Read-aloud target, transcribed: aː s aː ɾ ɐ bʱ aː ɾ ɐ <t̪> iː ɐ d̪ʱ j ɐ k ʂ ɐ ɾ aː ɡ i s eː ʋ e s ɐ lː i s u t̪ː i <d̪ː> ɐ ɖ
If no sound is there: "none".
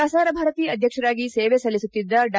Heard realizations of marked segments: t̪, d̪ː

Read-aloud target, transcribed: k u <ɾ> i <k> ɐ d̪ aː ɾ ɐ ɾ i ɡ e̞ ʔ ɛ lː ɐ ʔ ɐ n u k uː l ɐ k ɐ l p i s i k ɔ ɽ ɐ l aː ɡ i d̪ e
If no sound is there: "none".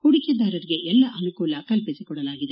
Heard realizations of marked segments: ɽ, k

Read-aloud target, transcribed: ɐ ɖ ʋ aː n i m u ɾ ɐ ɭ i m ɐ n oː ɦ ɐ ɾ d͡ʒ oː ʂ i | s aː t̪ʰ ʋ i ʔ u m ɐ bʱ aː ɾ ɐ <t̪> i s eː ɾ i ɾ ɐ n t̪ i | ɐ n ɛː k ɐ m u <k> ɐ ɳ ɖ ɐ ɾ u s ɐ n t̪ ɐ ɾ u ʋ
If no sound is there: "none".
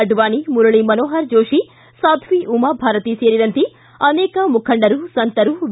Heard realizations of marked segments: t̪, kʰ

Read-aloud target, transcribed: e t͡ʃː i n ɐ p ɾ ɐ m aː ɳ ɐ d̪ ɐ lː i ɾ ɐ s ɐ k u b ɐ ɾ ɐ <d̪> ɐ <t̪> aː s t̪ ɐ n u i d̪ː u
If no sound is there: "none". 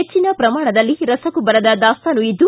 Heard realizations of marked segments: d̪, d̪

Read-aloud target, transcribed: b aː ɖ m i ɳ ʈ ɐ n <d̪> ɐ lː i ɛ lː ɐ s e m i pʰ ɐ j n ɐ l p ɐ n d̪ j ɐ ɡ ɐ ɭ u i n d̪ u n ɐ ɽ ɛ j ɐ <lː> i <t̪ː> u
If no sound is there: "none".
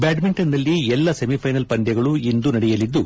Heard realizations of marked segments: d̪, l, d̪ː

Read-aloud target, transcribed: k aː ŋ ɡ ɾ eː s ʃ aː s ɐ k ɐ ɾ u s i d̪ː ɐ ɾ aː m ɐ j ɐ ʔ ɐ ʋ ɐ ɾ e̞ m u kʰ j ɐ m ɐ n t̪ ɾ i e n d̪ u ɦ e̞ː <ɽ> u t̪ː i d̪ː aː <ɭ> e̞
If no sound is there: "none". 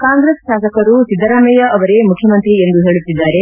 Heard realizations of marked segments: ɭ, ɾ

